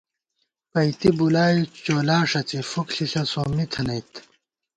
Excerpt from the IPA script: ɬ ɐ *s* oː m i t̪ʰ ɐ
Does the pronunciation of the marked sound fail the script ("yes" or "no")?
no